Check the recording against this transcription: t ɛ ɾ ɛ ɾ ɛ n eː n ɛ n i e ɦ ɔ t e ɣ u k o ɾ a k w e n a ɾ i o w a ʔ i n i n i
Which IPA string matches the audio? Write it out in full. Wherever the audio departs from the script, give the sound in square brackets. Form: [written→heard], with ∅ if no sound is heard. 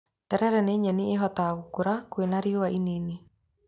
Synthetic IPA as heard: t ɛ ɾ ɛ ɾ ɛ n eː [n→ɲ] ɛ n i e ɦ ɔ t [e→a] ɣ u k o ɾ a k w e n a ɾ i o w a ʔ i n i n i